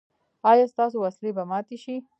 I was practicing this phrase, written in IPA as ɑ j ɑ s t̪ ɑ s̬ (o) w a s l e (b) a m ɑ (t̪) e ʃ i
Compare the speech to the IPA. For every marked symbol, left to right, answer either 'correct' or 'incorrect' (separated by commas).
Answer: correct, correct, correct